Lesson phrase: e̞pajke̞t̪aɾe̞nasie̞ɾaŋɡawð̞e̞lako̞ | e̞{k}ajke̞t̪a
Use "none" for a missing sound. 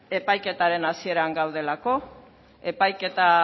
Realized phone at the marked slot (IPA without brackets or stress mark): p